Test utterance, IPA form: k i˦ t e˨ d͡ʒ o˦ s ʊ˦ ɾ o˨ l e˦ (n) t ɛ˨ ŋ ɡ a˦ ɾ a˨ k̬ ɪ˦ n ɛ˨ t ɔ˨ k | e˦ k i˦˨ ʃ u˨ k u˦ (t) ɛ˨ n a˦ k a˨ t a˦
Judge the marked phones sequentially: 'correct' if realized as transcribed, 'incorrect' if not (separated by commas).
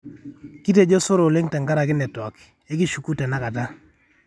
incorrect, correct